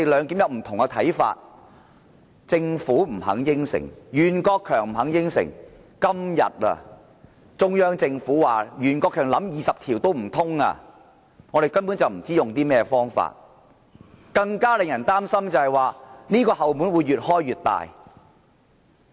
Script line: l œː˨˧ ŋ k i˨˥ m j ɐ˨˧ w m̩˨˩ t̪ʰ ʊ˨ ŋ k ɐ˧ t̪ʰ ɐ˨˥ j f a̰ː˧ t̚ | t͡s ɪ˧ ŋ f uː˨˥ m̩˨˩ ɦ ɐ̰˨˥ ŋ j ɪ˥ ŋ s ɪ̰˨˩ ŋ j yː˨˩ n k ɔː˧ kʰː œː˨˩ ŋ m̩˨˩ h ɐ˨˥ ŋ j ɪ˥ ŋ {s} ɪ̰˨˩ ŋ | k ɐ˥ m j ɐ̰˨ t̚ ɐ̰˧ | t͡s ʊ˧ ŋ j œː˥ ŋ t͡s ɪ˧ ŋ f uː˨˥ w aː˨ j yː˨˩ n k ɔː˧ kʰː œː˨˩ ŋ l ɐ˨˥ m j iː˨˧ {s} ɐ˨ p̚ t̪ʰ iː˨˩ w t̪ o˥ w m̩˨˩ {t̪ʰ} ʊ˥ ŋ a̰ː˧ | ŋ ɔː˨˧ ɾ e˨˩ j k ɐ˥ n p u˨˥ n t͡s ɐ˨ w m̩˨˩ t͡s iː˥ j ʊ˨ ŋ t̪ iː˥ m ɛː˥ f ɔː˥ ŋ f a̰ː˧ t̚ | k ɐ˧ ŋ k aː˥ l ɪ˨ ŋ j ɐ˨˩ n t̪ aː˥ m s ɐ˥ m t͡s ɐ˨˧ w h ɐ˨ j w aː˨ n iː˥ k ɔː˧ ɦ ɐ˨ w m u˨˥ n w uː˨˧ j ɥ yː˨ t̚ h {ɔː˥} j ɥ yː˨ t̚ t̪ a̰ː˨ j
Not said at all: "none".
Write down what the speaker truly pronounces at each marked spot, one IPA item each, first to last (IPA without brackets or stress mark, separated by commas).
s, s, t̪ʰ, ɔː˥